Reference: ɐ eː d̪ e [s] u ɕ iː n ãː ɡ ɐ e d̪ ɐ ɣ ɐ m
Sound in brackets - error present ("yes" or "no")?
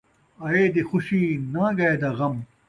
yes